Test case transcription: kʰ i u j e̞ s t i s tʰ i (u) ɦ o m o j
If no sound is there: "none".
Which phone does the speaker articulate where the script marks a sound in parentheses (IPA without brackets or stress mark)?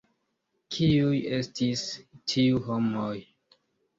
u